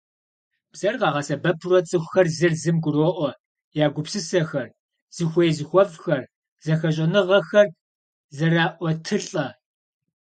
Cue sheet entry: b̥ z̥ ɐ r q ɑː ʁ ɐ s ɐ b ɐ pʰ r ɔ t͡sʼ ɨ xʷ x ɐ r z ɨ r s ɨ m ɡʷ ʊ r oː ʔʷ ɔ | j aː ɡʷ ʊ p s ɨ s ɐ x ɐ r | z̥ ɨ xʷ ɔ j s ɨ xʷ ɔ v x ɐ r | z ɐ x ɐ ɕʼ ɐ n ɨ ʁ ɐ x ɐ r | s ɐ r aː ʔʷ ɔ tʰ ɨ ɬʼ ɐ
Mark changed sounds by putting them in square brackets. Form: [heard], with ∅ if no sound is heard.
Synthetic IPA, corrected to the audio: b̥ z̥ ɐ r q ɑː ʁ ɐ s ɐ b ɐ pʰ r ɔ t͡sʼ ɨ xʷ x ɐ r z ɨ r [z] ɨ m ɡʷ ʊ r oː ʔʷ ɔ | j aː ɡʷ ʊ p s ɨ s ɐ x ɐ r | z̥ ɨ xʷ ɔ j [z] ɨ xʷ ɔ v x ɐ r | z ɐ x ɐ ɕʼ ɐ n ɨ ʁ ɐ x ɐ r | [z] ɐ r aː ʔʷ ɔ tʰ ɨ ɬʼ ɐ

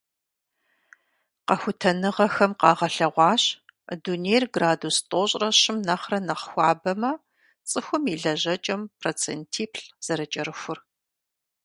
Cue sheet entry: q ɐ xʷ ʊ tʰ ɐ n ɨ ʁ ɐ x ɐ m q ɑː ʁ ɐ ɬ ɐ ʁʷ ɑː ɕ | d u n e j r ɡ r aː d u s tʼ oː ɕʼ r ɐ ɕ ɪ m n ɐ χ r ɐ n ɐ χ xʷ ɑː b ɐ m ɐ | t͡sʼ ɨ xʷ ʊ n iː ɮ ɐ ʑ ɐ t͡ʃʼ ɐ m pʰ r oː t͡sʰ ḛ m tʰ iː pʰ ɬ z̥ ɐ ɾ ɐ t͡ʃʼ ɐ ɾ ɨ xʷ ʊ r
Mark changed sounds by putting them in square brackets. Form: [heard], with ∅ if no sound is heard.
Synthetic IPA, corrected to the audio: q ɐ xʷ ʊ tʰ ɐ n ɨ ʁ ɐ x ɐ m q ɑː ʁ ɐ ɬ ɐ ʁʷ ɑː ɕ | d u n e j r ɡ r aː d u s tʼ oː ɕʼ r ɐ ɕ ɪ m n ɐ χ r ɐ n ɐ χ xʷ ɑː b ɐ m ɐ | t͡sʼ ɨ xʷ ʊ [m] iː ɮ ɐ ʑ ɐ t͡ʃʼ ɐ m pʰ r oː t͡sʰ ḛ [n] tʰ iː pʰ ɬ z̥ ɐ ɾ ɐ t͡ʃʼ ɐ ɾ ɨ xʷ ʊ r

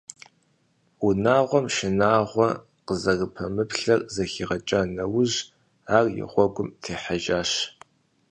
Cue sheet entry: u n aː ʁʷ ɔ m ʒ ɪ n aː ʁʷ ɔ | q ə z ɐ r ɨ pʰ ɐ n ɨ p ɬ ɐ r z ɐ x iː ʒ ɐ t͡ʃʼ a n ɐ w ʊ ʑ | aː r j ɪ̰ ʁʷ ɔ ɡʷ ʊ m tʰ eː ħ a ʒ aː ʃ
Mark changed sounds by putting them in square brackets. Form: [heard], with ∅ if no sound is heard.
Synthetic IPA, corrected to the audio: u n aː ʁʷ ɔ m [ʃ] ɪ n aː ʁʷ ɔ | q ə z ɐ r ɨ pʰ ɐ [m] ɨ p ɬ ɐ r z ɐ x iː [ʁ] ɐ t͡ʃʼ a n ɐ w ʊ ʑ | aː r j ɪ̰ ʁʷ ɔ ɡʷ ʊ m tʰ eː ħ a ʒ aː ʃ

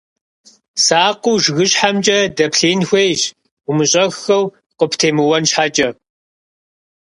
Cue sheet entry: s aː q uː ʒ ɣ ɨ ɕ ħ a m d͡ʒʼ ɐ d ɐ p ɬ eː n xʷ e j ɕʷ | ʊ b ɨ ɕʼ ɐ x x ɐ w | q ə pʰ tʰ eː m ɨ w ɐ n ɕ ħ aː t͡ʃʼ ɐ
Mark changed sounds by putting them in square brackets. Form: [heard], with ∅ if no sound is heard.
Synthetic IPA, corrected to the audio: s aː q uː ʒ ɣ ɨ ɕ ħ a m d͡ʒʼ ɐ d ɐ p ɬ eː n xʷ e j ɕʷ | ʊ [m] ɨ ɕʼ ɐ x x ɐ w | q ə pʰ tʰ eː m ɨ w ɐ n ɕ ħ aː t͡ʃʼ ɐ

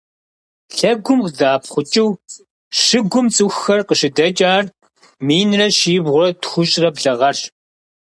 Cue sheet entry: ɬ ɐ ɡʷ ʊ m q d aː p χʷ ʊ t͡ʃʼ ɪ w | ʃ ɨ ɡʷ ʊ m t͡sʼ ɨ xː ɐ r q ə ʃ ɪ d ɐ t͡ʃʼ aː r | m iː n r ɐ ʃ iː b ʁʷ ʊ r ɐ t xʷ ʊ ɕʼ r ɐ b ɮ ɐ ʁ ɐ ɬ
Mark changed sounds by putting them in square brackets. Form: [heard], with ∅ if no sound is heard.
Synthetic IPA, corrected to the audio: ɬ ɐ ɡʷ ʊ m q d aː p χʷ ʊ t͡ʃʼ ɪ w | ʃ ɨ ɡʷ ʊ m t͡sʼ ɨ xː ɐ r q ə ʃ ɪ d ɐ t͡ʃʼ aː r | m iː n r ɐ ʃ iː b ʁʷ ʊ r ɐ t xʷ ʊ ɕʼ r ɐ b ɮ ɐ ʁ ɐ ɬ

